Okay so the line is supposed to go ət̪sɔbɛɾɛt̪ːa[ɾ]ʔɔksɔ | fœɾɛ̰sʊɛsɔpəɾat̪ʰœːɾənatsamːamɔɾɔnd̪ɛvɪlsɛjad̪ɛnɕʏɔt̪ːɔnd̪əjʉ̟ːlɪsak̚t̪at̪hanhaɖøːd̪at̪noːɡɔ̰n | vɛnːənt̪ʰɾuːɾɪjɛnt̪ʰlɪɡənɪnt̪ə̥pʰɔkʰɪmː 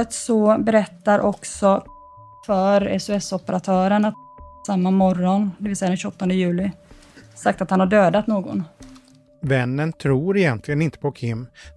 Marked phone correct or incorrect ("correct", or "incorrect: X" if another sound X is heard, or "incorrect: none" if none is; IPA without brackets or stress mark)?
correct